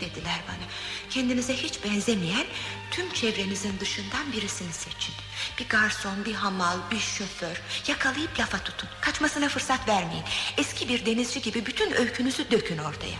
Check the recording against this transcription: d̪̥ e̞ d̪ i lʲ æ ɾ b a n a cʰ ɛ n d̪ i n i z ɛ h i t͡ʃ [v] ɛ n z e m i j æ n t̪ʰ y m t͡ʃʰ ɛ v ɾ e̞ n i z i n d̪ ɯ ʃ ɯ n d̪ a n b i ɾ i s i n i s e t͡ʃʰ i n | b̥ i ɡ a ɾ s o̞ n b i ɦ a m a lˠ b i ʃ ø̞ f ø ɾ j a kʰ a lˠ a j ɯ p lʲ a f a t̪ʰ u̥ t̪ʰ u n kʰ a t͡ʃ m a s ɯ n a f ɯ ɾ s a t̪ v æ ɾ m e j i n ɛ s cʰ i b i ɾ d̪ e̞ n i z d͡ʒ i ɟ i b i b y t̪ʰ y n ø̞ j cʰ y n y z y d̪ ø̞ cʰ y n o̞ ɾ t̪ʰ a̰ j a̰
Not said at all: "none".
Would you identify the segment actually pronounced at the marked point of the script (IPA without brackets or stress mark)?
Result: b